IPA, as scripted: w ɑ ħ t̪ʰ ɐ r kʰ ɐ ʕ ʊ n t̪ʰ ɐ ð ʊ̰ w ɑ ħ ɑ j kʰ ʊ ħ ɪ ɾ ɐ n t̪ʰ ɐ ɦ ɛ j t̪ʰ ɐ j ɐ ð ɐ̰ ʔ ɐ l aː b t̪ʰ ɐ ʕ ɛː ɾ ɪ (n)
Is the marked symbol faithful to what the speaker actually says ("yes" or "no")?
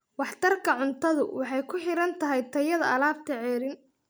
yes